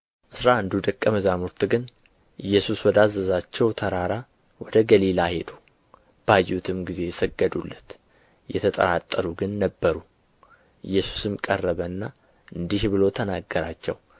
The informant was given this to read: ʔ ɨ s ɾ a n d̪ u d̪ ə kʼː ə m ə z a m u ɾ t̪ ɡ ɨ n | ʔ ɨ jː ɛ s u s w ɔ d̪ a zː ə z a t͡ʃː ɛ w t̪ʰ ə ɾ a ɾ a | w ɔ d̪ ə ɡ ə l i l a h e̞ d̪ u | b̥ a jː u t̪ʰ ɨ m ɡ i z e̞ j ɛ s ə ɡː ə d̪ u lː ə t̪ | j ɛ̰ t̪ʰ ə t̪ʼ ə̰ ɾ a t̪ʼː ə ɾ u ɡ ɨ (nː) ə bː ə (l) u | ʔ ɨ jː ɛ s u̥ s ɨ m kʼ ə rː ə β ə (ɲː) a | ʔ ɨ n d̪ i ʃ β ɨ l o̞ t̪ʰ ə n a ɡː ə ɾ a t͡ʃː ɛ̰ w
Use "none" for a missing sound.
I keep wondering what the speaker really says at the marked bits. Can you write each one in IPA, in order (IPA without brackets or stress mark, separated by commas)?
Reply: nː, ɾ, nː